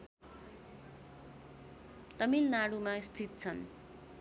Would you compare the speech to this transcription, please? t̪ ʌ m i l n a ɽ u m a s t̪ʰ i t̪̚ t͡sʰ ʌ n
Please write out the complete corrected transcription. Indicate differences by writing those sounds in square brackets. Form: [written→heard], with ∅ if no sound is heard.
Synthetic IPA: t̪ ʌ m i l n a ɽ u m a s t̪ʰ i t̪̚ t͡sʰ ʌ n